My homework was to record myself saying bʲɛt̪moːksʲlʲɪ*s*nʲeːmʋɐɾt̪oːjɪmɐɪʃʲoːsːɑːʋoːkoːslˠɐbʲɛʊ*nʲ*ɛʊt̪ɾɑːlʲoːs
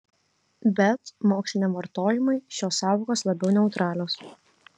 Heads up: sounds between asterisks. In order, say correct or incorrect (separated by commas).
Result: incorrect, correct